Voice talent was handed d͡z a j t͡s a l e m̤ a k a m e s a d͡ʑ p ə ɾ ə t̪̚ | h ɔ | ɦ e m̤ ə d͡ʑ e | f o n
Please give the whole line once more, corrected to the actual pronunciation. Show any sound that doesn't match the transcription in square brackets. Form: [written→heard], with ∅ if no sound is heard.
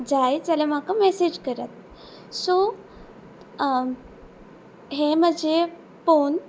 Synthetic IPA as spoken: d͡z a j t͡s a l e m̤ a k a m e s [a→e] d͡ʑ [p→k] ə ɾ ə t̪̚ | [h→s] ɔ | ɦ e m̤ ə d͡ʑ e | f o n